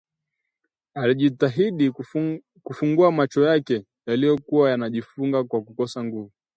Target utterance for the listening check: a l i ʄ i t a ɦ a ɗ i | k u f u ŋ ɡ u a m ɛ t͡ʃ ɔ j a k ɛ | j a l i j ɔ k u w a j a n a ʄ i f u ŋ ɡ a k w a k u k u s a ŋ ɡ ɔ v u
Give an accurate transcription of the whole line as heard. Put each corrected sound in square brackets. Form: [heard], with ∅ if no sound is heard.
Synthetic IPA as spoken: a l i ʄ i t a ɦ [i] ɗ i | k u f u ŋ ɡ u a m [a] t͡ʃ ɔ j a k ɛ | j a l i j ɔ k u w a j a n a ʄ i f u ŋ ɡ a k w a k u k [ɔ] s a ŋ ɡ [u] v u